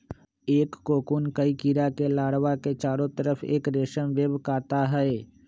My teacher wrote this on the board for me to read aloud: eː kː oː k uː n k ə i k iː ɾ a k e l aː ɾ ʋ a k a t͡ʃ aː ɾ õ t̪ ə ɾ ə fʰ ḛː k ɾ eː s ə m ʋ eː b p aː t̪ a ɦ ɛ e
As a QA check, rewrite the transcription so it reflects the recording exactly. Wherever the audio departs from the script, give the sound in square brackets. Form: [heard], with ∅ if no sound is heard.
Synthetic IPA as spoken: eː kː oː k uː n k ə i k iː ɾ a k e l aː [ɽ] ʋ a k [e] t͡ʃ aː ɾ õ t̪ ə ɾ ə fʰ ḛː k ɾ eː [ʃ] ə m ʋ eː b [k] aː t̪ a ɦ ɛ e